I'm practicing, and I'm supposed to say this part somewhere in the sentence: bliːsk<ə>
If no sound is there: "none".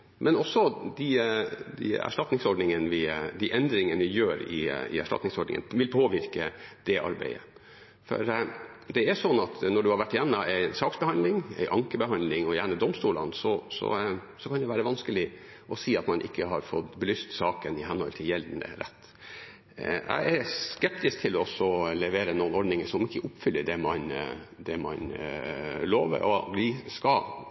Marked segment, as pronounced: ɑ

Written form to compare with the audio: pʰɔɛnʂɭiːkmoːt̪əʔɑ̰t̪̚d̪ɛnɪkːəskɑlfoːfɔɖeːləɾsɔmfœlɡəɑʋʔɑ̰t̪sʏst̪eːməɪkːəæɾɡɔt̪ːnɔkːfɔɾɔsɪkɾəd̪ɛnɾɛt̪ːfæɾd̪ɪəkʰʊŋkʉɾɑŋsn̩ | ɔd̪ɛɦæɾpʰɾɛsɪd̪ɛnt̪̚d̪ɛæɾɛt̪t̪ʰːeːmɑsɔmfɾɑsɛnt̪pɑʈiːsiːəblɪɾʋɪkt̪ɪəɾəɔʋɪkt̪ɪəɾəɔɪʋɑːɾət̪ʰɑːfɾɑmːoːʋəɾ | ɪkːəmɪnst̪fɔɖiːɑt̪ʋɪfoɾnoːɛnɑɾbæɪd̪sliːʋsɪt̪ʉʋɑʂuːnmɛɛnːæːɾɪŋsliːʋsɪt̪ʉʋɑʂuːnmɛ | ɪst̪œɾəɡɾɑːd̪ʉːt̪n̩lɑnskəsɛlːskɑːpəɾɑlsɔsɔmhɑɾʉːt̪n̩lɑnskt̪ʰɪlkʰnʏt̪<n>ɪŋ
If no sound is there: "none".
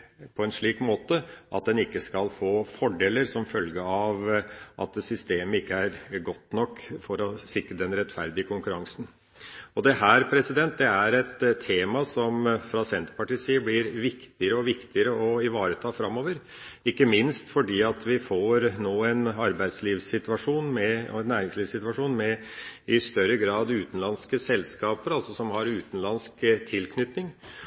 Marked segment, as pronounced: n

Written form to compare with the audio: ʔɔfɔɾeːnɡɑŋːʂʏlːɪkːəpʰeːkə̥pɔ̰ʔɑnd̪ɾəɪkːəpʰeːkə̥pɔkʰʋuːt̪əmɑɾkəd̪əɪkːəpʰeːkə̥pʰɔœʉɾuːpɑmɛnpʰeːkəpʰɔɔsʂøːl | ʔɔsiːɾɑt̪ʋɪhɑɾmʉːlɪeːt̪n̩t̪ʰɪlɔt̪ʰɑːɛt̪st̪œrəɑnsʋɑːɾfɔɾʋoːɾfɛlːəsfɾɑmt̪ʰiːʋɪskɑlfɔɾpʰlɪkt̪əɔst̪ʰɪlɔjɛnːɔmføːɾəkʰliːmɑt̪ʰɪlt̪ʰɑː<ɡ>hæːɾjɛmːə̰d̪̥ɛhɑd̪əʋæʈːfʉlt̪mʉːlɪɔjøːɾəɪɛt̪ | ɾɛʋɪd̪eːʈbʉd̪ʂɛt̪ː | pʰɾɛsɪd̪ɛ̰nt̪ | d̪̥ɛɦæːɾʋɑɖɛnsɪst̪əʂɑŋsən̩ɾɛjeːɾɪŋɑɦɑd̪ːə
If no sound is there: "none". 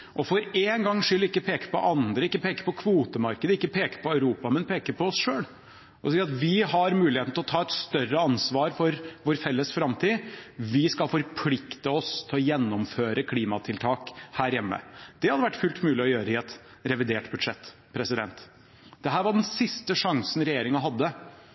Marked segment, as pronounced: k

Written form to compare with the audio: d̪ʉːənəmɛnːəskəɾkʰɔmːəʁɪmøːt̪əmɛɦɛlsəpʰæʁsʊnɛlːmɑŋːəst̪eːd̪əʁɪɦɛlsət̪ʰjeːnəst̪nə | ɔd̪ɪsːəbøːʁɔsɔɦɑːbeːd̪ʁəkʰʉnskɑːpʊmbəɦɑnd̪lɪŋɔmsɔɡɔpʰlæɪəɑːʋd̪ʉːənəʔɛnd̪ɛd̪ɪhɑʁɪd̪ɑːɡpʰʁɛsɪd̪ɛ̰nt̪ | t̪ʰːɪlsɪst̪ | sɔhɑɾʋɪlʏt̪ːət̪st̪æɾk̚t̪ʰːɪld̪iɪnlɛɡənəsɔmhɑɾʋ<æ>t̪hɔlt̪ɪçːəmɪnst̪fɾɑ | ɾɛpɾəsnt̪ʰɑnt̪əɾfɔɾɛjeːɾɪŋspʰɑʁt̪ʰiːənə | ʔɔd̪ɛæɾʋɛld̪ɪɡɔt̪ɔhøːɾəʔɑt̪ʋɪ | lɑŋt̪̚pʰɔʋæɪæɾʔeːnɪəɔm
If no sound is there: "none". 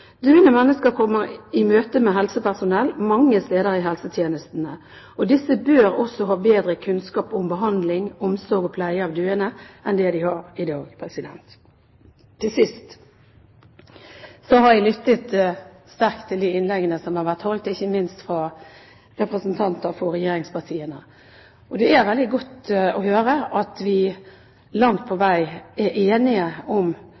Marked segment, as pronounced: æ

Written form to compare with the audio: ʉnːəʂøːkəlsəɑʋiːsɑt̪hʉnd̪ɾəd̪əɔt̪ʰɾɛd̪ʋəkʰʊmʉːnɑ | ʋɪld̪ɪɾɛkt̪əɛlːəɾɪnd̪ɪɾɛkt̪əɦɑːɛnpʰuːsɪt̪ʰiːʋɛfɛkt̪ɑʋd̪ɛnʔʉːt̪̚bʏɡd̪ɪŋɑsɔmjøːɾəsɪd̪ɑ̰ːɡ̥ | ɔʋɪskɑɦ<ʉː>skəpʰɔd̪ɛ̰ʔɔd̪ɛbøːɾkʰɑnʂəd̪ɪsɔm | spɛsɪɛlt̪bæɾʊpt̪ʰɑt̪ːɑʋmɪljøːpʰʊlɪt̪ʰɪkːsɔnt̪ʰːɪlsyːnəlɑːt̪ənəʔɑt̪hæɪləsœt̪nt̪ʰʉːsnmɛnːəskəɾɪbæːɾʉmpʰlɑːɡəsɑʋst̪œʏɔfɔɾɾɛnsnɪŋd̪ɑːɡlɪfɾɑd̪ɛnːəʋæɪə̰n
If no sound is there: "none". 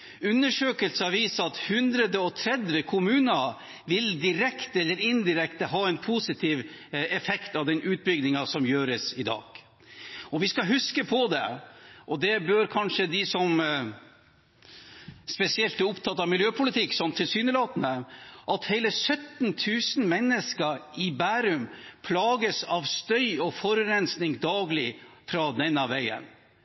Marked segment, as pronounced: ʉ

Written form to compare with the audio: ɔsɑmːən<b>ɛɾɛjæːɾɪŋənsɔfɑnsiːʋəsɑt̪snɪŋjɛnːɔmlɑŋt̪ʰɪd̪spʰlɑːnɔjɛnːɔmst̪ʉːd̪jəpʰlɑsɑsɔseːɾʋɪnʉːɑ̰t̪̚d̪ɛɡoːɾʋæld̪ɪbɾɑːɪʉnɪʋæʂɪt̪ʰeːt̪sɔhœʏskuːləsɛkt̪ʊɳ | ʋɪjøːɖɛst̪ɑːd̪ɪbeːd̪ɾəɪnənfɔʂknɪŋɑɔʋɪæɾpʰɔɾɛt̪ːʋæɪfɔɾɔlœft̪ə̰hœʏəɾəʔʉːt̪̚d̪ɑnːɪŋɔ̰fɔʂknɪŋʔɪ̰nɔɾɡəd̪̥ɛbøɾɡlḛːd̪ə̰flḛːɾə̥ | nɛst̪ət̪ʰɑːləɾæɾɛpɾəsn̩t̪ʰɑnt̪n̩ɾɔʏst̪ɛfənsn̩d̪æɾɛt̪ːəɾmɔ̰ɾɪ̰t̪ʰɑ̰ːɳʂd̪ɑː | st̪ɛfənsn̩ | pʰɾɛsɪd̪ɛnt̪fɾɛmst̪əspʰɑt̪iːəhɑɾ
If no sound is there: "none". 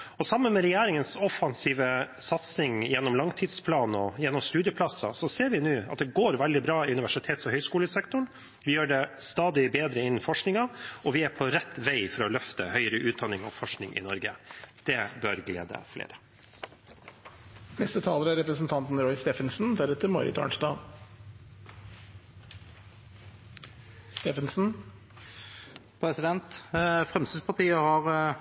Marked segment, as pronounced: m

